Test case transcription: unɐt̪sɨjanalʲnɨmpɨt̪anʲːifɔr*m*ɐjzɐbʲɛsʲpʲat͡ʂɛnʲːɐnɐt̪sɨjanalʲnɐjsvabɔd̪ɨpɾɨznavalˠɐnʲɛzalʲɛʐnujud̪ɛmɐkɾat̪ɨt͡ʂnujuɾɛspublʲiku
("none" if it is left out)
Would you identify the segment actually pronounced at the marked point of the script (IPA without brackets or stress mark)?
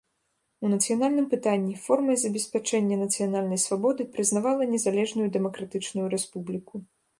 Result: m